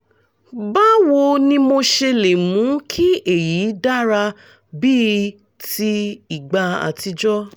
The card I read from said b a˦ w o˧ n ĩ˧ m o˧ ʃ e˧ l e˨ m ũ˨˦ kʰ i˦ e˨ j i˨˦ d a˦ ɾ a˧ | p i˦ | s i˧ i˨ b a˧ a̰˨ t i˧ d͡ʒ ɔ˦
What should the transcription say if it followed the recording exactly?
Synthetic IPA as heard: b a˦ w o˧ n ĩ˧ m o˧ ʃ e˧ l e˨ m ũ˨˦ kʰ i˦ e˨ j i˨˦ d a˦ ɾ a˧ | b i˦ | t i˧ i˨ ɡ͡b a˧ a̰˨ t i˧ d͡ʒ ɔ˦